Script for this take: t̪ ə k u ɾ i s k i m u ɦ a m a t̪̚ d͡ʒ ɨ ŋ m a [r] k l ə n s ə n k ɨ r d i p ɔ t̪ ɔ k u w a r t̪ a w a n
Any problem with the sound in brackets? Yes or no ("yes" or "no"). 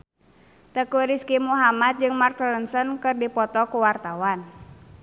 no